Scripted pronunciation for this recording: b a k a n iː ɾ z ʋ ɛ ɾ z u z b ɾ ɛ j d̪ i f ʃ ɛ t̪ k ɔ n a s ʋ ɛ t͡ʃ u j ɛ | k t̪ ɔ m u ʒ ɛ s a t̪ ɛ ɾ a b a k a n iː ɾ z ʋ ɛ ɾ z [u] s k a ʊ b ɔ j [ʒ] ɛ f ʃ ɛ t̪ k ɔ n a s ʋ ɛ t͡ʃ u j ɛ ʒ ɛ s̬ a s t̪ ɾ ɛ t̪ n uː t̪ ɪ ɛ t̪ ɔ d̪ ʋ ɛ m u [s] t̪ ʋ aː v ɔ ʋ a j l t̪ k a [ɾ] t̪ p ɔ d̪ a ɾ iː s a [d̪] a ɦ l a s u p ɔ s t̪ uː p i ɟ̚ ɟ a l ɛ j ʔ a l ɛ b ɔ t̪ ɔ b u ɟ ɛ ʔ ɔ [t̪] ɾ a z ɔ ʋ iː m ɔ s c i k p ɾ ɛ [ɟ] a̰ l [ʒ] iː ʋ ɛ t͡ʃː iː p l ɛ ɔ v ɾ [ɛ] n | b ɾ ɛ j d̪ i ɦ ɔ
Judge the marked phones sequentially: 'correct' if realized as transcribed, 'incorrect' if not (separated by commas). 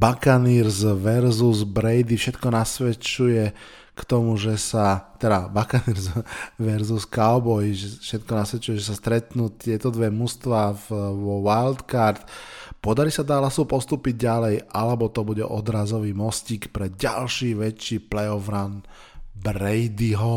correct, correct, correct, correct, correct, incorrect, correct, incorrect, incorrect